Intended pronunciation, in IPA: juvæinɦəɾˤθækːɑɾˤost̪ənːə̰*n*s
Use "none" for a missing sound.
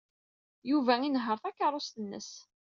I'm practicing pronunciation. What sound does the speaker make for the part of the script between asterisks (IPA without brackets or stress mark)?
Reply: none